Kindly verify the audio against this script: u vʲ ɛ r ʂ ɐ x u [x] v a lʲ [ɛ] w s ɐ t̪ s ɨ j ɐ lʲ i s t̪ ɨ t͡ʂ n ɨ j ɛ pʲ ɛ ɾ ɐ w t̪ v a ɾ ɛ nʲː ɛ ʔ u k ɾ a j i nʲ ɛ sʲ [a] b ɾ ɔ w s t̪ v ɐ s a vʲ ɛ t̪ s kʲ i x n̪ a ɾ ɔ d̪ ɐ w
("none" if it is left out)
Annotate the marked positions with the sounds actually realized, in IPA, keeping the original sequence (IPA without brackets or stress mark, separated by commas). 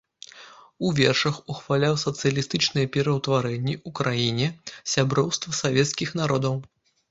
x, a, a